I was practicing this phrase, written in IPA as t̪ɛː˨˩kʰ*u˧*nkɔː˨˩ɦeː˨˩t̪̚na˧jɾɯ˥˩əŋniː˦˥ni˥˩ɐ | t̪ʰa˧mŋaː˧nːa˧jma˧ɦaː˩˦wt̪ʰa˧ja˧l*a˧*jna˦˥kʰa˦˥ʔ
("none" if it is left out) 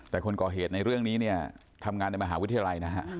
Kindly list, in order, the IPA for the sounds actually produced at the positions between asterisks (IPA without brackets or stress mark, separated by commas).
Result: o˧, a˧